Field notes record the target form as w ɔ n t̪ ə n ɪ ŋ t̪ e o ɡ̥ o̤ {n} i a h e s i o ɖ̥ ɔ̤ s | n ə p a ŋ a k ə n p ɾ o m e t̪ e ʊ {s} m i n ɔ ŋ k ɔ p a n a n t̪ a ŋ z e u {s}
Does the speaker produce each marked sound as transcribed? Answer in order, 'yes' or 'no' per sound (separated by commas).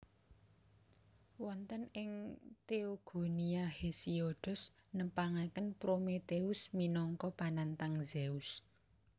yes, yes, yes